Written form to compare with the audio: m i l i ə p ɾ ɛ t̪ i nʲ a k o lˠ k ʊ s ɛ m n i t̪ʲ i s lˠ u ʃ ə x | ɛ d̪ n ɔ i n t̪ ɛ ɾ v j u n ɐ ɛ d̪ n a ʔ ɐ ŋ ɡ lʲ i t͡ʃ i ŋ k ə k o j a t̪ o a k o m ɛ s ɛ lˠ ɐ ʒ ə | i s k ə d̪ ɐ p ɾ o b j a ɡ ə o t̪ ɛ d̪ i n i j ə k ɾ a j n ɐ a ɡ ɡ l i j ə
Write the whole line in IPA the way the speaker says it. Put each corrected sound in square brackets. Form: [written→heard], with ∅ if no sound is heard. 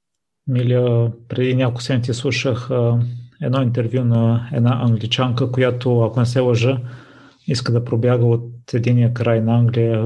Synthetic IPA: m i l i ə p ɾ ɛ [t̪→d̪] i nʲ a k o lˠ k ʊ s ɛ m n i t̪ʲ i s lˠ u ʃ ə x | ɛ d̪ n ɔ i n t̪ ɛ ɾ v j u n ɐ ɛ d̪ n a ʔ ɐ ŋ ɡ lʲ i t͡ʃ [i→a] ŋ k ə k o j a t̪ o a k o [m→n] ɛ s ɛ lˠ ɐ ʒ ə | i s k ə d̪ ɐ p ɾ o b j a ɡ ə o t̪ ɛ d̪ i n i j ə k ɾ a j n ɐ a [ɡ→ŋ] ɡ l i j ə